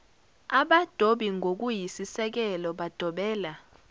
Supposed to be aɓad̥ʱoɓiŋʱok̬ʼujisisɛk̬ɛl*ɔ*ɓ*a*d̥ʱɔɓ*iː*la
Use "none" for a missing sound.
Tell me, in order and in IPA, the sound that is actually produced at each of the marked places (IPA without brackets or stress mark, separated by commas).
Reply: ɔ, a, ɛː